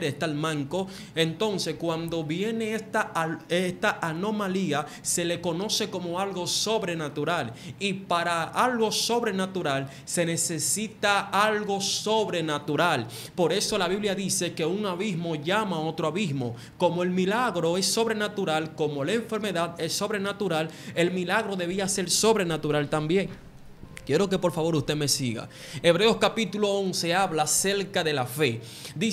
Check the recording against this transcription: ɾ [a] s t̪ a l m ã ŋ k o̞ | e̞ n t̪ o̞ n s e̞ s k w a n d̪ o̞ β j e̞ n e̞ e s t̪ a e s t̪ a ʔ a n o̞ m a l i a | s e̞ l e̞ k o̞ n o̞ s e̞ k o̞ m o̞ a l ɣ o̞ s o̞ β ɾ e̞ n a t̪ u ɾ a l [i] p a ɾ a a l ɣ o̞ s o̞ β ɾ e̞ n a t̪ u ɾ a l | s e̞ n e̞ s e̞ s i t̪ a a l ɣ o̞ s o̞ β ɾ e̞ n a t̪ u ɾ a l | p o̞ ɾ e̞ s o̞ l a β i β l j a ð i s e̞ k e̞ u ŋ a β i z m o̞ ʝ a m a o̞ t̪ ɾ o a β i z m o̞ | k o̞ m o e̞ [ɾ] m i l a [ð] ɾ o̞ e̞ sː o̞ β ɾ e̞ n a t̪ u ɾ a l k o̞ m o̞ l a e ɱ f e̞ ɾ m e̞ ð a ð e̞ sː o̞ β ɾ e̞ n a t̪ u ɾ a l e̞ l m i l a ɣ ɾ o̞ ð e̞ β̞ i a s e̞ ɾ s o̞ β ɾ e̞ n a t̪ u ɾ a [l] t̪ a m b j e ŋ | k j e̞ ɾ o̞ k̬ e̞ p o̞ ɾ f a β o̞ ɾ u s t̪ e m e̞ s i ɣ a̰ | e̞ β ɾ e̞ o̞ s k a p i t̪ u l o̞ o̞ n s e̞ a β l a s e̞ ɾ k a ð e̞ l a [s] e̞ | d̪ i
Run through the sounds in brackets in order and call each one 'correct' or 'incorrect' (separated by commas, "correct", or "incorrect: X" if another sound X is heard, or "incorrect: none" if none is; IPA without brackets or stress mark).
incorrect: e, correct, incorrect: l, incorrect: ɣ, correct, incorrect: f